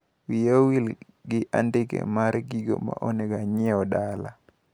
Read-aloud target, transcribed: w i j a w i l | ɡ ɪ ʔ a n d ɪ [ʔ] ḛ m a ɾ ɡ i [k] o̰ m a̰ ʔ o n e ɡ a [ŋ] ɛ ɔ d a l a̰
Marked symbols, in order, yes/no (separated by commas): no, no, no